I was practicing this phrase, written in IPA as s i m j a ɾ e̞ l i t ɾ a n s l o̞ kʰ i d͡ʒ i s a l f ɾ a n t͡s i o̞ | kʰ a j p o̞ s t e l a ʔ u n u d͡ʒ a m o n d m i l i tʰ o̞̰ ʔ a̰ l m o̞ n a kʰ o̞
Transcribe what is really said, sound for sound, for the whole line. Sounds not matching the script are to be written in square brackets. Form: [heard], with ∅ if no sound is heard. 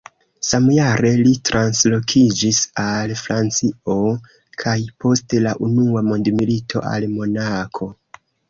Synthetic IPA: s [a] m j a ɾ e̞ l i t ɾ a n s l o̞ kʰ i d͡ʒ i s a l f ɾ a n t͡s i o̞ | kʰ a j p o̞ s t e l a ʔ u n u [∅] a m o n d m i l i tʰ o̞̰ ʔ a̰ l m o̞ n a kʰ o̞